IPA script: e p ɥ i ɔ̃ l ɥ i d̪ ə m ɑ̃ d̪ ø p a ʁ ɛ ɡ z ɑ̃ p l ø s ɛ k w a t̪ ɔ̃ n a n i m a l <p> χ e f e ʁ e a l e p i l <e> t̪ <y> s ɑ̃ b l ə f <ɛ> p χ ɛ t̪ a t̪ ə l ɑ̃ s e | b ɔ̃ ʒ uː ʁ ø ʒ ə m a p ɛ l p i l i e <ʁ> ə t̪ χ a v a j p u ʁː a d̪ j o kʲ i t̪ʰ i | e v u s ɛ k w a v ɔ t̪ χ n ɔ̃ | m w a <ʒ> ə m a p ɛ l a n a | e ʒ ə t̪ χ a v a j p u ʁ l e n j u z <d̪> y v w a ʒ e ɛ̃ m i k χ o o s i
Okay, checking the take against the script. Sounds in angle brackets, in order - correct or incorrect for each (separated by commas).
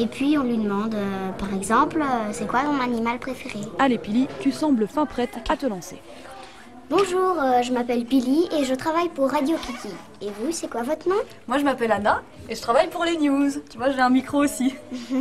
correct, incorrect, correct, incorrect, incorrect, correct, incorrect